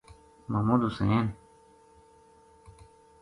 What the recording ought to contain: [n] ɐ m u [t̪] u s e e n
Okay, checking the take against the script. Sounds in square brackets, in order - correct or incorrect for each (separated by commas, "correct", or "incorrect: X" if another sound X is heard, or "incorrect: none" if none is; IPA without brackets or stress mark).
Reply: incorrect: m, incorrect: d̪